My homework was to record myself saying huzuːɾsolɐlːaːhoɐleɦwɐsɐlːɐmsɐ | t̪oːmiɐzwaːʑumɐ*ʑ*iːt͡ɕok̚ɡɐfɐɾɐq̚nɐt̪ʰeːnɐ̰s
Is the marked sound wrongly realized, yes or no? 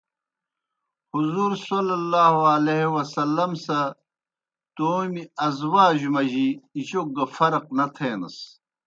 no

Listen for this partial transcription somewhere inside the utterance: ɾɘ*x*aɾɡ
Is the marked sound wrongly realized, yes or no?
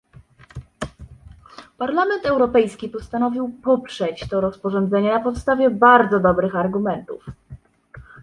no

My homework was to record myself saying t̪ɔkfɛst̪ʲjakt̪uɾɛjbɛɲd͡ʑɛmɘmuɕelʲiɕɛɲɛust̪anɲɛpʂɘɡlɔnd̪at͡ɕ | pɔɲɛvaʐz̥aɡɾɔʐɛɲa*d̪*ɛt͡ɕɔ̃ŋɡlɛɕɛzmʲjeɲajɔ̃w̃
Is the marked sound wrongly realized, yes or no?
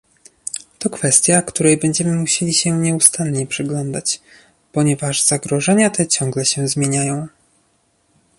yes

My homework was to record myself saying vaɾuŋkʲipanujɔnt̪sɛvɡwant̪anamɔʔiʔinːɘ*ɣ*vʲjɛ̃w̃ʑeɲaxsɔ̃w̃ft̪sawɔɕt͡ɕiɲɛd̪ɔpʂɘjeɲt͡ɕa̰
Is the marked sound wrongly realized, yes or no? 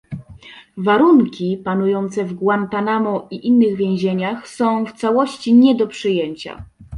no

